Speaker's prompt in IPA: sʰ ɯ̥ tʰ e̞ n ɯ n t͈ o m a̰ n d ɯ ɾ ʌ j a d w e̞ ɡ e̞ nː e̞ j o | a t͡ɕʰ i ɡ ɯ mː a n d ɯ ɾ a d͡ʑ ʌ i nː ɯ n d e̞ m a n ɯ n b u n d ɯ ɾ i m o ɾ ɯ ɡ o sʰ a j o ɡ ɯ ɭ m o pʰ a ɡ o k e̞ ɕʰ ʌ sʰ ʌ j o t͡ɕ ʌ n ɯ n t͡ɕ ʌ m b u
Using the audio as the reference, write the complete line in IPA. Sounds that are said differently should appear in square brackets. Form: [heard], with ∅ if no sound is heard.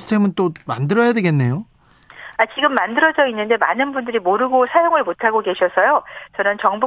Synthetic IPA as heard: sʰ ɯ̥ tʰ e̞ [m] ɯ n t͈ o m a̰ n d ɯ ɾ ʌ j a d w e̞ ɡ e̞ nː e̞ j o | a [t͡ɕ] i ɡ ɯ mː a n d ɯ ɾ [ʌ] d͡ʑ ʌ i nː ɯ n d e̞ m a n ɯ n b u n d ɯ ɾ i m o ɾ ɯ ɡ o sʰ a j o [ŋ] ɯ ɭ m o [tʰ] a ɡ o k e̞ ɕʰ ʌ sʰ ʌ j o t͡ɕ ʌ n ɯ n t͡ɕ ʌ [ŋ] b u